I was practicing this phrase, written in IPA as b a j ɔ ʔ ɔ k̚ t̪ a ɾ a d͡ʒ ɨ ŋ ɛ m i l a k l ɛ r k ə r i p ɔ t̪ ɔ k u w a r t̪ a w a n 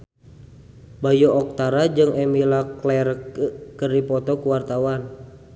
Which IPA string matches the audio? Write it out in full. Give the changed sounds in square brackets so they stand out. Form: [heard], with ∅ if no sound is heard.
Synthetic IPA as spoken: b a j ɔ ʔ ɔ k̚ t̪ a ɾ a d͡ʒ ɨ ŋ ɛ m i l a k l ɛ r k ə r i p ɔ t̪ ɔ k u w a r t̪ a w a n

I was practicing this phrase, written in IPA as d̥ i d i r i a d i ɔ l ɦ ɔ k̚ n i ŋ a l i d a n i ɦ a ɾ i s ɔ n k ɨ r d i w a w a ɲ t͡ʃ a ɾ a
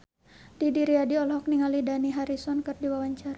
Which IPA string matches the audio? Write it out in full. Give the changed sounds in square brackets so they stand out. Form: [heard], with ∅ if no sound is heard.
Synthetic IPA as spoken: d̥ i d i [ɾ] i a d i ɔ l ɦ ɔ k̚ n i ŋ a l i d a n i ɦ a ɾ i s ɔ n k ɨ r d i w a w a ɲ t͡ʃ a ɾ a

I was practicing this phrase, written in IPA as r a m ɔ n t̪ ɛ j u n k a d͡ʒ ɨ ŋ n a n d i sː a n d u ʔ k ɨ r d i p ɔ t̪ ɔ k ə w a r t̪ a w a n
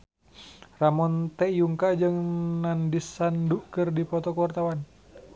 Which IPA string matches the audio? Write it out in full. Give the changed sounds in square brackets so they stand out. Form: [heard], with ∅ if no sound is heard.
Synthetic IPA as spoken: r a m ɔ n t̪ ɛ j u [ŋ] k a d͡ʒ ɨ ŋ n a n d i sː a n d u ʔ k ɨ r d i p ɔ t̪ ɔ k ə w a r t̪ a w a n

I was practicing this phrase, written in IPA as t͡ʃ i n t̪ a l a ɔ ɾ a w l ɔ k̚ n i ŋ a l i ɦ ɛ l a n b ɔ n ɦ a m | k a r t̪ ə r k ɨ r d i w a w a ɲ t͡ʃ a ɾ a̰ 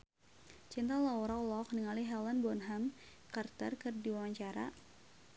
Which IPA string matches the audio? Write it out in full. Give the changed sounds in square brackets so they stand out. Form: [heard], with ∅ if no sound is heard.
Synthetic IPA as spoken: t͡ʃ i n t̪ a l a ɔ ɾ a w l ɔ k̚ n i ŋ a l i ɦ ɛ l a n b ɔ n ɦ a m | k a r t̪ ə r k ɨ r d i w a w a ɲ t͡ʃ a ɾ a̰

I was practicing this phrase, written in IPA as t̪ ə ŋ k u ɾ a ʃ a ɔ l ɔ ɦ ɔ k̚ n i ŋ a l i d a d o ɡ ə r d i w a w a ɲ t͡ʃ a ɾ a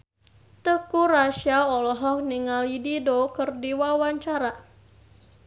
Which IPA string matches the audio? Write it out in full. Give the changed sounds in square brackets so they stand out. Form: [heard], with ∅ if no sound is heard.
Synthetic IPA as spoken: t̪ ə [∅] k u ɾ a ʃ a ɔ l ɔ ɦ ɔ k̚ n i ŋ a l i d [i] d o [k] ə r d i w a w a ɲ t͡ʃ a ɾ a

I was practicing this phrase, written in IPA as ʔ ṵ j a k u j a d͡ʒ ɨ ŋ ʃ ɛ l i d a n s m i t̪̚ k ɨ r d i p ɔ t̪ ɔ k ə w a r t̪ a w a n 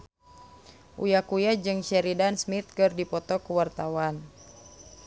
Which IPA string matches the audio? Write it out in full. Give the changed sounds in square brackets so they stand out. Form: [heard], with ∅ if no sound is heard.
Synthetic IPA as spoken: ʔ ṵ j a k u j a d͡ʒ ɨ ŋ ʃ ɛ [ɾ] i d a n s m i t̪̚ k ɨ r d i p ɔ t̪ ɔ k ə w a r t̪ a w a n

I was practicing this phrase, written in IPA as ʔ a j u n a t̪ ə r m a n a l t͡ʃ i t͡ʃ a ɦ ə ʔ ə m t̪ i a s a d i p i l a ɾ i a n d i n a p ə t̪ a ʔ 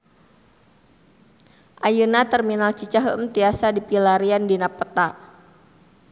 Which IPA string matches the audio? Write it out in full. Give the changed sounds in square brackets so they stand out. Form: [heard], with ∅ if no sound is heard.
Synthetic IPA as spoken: ʔ a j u n a t̪ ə r m [i] n a l t͡ʃ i t͡ʃ a ɦ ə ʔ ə m t̪ i a s a d i p i l a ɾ i a n d i n a p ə t̪ a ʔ

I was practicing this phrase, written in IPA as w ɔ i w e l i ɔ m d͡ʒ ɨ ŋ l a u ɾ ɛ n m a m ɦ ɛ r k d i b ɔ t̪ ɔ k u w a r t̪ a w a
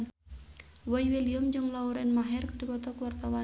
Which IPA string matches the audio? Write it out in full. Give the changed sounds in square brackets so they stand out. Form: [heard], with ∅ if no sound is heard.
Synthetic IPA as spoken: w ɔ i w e l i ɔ m d͡ʒ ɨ ŋ l a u ɾ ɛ n m a [∅] ɦ ɛ r k d i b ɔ t̪ ɔ k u w a r t̪ a w a

